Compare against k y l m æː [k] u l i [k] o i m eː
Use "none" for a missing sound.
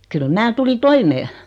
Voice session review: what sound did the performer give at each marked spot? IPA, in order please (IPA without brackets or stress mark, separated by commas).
t, t